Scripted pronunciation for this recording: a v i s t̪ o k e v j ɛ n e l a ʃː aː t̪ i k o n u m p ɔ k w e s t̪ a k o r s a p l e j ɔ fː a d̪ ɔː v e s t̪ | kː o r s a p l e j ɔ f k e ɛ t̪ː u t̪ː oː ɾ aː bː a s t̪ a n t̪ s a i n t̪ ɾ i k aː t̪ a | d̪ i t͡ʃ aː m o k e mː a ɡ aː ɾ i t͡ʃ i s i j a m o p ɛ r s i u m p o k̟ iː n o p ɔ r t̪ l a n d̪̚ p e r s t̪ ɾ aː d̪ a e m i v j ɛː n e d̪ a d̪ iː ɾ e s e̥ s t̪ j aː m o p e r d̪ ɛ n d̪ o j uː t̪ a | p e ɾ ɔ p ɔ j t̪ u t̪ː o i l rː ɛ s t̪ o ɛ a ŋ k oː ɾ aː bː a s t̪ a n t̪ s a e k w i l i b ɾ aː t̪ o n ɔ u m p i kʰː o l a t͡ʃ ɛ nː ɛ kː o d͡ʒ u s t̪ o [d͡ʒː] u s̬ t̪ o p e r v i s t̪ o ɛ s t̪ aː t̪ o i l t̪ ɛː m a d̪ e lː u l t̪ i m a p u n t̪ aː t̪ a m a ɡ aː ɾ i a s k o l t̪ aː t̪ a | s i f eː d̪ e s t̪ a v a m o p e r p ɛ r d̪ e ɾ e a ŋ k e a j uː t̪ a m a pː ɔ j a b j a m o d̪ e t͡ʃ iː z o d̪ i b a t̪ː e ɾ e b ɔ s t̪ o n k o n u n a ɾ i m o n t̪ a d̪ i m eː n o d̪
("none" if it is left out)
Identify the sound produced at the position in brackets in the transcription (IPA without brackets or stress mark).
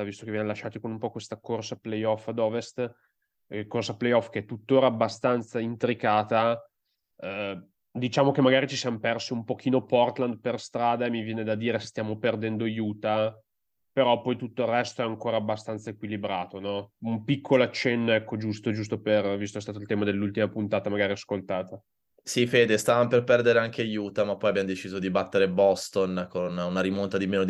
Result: d͡ʒ